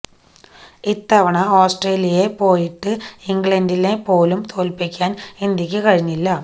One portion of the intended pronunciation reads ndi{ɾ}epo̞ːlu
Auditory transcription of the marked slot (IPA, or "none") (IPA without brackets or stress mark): l